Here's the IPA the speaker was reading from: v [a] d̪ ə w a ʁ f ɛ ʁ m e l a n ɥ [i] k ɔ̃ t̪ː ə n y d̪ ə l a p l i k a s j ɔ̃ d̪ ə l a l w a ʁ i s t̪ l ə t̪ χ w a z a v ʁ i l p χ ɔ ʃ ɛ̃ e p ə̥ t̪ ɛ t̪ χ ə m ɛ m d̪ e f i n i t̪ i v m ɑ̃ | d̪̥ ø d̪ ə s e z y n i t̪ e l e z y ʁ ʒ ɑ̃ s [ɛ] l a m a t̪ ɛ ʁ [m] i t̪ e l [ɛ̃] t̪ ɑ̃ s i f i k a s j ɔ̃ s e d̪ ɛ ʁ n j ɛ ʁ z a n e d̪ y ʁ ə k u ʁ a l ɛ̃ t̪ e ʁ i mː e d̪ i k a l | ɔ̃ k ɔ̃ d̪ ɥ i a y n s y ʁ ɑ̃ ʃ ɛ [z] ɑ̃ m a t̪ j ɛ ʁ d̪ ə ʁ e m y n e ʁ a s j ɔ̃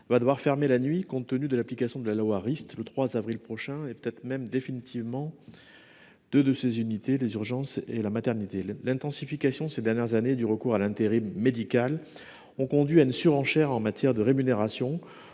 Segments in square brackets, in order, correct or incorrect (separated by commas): correct, correct, incorrect, incorrect, correct, incorrect